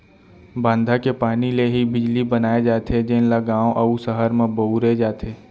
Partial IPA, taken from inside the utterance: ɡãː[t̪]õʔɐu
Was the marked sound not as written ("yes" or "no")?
yes